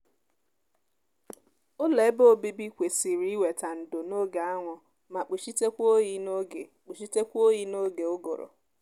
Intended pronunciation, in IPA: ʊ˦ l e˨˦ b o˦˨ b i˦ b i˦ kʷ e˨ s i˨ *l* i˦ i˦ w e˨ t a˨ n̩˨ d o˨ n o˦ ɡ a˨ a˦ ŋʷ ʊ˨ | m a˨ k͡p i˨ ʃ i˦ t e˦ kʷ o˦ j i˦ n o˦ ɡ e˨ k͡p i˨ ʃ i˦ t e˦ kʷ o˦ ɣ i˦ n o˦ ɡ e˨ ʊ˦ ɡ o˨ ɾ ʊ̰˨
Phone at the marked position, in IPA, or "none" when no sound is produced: ɾ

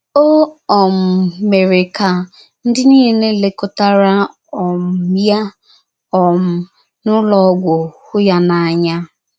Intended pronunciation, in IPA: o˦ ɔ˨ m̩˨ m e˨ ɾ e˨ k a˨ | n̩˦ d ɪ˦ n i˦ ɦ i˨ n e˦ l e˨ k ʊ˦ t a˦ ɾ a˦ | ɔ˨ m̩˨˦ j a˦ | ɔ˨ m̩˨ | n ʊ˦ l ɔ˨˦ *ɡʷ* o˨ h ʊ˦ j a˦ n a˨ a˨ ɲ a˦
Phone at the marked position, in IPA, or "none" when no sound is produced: ɡʷ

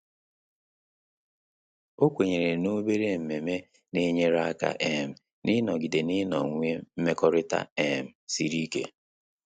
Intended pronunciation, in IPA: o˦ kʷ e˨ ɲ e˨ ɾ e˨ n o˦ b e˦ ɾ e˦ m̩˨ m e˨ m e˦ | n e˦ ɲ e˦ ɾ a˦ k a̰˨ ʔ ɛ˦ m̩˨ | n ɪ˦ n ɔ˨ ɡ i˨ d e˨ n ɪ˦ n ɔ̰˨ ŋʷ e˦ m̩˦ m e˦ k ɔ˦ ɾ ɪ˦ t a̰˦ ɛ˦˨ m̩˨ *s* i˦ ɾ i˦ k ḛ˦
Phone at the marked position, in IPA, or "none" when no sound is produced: s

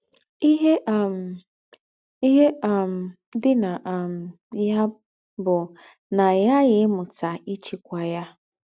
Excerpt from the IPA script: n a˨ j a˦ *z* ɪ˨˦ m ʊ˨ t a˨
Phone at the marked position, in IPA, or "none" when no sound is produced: ɣ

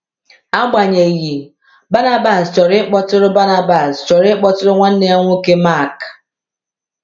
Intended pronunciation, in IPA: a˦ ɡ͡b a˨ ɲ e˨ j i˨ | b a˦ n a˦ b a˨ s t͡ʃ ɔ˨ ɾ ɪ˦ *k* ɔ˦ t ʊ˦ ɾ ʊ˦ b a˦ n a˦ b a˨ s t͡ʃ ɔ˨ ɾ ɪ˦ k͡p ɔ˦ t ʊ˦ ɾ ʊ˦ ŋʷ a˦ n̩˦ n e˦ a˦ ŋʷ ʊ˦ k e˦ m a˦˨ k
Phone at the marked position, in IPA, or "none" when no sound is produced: k͡p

